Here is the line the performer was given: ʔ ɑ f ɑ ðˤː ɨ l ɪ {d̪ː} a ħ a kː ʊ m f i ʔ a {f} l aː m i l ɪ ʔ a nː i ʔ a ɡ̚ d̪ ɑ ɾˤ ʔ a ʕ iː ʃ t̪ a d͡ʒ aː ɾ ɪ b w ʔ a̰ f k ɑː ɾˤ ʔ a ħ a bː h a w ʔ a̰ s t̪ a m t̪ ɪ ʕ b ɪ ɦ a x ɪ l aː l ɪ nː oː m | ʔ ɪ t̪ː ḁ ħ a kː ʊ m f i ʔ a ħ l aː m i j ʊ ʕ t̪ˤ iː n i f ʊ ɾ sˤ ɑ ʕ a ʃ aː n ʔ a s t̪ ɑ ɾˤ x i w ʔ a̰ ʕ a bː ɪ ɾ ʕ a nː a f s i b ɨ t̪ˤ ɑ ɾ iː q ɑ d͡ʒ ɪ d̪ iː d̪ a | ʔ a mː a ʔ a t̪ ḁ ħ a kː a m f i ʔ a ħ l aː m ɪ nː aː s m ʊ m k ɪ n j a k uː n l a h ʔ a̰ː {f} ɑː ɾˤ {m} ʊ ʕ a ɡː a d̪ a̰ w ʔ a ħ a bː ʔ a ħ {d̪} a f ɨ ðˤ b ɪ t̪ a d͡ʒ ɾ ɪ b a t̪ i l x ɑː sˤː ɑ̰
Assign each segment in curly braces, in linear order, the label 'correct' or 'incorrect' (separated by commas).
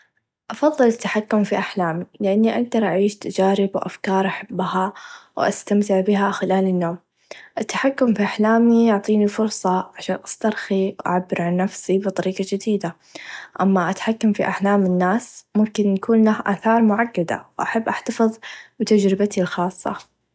incorrect, incorrect, incorrect, correct, incorrect